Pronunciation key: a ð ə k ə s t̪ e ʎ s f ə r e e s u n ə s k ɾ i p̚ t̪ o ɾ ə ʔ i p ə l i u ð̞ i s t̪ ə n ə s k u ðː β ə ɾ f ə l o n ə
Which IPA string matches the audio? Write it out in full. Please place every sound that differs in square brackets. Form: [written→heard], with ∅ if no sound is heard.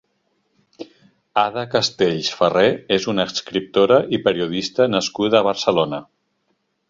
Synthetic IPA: a ð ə k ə s t̪ e ʎ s f ə r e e [s→z] u n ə s k ɾ i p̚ t̪ o ɾ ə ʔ i p ə [l→ɾ] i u ð̞ i s t̪ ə n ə s k u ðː β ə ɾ [f→s] ə l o n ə